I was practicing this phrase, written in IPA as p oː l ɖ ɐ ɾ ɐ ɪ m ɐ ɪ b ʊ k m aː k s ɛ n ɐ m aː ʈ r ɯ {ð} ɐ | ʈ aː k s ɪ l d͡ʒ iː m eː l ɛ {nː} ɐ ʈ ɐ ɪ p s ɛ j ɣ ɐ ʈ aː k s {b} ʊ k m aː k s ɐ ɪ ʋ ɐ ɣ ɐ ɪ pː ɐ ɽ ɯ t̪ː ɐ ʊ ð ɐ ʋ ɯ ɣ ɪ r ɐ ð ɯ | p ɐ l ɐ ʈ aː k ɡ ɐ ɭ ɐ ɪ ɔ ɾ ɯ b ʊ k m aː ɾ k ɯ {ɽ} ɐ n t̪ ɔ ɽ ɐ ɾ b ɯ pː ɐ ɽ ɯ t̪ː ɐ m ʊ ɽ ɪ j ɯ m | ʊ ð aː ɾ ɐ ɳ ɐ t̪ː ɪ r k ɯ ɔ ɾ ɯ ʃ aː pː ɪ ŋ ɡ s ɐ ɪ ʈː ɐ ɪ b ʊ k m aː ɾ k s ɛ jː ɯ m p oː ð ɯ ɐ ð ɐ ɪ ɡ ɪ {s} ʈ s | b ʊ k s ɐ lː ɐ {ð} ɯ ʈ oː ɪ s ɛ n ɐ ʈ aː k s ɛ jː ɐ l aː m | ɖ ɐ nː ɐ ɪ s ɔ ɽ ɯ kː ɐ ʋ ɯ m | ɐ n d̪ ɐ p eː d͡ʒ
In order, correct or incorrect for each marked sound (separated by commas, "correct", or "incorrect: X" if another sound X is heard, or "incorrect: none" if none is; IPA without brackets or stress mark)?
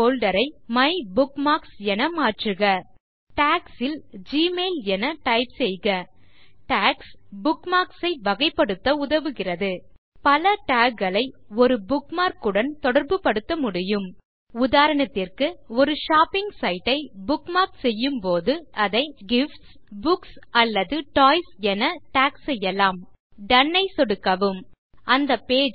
incorrect: ɣ, incorrect: n, correct, correct, incorrect: f, correct